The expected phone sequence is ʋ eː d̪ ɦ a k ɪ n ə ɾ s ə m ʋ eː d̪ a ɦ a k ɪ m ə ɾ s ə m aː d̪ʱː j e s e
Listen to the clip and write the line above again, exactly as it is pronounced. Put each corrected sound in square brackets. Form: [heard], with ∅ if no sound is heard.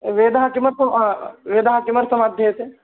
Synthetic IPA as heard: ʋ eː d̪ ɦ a k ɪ [m] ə ɾ s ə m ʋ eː d̪ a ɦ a k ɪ m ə ɾ s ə m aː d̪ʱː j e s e